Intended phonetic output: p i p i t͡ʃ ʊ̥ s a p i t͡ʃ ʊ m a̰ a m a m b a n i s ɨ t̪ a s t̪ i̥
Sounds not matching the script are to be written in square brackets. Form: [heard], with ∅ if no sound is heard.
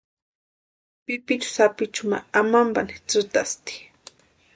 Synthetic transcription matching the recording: p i p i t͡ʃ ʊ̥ s a p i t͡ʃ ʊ m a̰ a m a m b a n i [t͡s] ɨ t̪ a s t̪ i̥